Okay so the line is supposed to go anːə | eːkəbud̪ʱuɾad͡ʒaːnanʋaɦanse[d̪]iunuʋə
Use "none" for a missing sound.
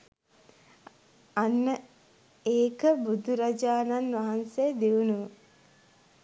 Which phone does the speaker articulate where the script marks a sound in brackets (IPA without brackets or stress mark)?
d̪